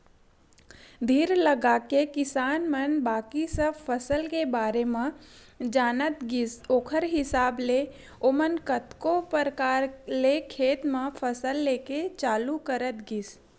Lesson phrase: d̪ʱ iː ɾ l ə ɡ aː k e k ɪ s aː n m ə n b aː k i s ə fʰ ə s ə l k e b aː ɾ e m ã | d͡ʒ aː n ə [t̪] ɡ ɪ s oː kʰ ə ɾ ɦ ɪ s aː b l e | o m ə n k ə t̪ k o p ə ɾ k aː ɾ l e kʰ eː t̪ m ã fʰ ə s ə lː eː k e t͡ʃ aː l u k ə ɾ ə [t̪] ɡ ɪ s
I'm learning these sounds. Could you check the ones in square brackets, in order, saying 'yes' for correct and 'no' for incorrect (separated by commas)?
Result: yes, yes